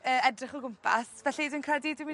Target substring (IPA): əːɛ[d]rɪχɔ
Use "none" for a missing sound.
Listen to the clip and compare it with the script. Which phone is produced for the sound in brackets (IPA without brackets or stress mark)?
d